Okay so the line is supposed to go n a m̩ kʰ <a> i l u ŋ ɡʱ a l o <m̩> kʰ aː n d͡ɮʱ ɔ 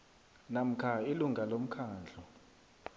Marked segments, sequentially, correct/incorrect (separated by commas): correct, correct